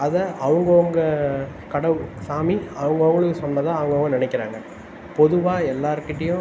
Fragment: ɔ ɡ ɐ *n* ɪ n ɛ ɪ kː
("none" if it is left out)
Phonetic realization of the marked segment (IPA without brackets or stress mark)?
n